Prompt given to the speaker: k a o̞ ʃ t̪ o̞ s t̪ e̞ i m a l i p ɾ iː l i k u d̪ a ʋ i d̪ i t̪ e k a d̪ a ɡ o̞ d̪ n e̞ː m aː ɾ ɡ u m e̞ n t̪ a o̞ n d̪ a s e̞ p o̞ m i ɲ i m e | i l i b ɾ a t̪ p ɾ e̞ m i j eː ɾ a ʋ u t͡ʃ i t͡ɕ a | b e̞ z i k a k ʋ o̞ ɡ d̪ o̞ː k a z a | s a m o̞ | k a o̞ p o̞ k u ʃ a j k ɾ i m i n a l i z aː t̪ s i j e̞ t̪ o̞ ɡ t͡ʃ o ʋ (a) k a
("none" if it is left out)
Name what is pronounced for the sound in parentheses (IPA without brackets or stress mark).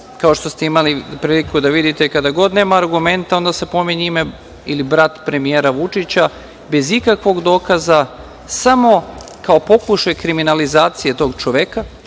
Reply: e